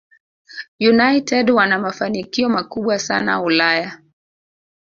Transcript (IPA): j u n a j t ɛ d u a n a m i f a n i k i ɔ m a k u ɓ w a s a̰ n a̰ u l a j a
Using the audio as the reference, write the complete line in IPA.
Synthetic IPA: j u n a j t ɛ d w a n a m a f a n i k i ɔ m a k u ɓ w a s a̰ n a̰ u l a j a